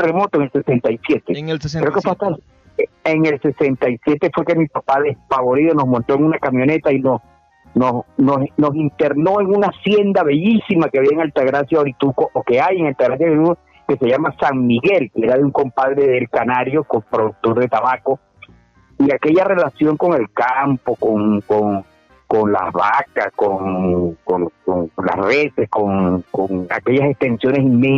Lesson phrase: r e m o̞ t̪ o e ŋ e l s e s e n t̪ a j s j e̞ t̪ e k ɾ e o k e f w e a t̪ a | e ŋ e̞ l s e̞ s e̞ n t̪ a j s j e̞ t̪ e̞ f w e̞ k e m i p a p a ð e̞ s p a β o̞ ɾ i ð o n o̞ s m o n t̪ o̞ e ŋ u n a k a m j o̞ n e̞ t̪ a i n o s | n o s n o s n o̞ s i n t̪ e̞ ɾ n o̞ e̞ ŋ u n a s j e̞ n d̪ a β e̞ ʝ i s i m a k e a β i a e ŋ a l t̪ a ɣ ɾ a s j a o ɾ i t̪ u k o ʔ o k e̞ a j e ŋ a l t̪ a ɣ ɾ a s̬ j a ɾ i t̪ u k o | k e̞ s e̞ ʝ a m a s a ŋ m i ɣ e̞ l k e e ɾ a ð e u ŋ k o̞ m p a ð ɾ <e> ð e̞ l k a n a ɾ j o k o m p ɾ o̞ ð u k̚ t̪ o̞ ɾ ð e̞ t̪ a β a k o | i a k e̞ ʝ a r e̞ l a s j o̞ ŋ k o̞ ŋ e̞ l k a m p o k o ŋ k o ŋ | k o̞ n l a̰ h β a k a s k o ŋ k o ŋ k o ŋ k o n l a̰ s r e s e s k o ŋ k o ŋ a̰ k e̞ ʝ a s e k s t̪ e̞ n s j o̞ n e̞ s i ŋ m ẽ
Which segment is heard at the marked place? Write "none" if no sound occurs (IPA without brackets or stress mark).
e